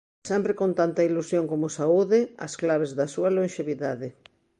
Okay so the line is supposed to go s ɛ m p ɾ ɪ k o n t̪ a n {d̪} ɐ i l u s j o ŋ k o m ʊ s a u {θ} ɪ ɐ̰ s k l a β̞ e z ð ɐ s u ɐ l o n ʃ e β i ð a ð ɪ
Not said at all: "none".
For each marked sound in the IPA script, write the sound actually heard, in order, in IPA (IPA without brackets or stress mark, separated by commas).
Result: t̪, ð